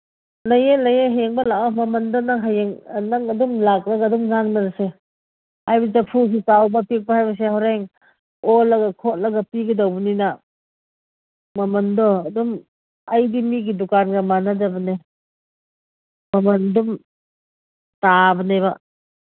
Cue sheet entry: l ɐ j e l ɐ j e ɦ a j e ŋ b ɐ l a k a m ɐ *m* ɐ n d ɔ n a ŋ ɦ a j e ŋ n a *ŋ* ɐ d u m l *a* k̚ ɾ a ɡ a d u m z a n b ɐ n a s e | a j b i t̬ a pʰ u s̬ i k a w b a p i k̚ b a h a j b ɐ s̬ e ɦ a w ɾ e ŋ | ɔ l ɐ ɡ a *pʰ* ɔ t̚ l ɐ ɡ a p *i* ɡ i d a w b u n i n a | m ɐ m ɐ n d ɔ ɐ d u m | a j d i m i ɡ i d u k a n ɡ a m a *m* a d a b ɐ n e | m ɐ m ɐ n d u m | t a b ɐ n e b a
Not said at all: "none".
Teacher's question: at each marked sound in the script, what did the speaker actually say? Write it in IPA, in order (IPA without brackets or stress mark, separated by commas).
m, ŋ, a, kʰ, i, n